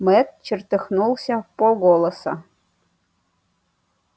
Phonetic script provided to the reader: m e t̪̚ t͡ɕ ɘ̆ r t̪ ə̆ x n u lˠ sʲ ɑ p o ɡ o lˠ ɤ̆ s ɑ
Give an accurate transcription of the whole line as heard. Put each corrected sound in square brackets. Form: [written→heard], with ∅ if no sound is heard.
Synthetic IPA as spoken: m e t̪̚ t͡ɕ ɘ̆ r t̪ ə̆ x n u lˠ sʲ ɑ p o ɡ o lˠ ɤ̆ s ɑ